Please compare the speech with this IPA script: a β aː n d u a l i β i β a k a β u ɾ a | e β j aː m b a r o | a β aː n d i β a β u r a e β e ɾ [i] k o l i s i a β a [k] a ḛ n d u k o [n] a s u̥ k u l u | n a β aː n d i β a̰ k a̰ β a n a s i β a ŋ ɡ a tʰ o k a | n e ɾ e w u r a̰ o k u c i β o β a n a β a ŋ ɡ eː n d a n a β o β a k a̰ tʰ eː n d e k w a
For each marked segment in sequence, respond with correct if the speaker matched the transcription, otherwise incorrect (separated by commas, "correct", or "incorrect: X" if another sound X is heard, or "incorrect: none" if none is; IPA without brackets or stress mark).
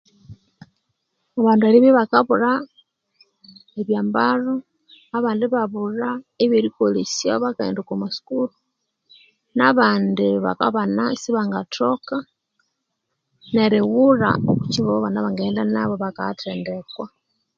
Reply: correct, correct, incorrect: m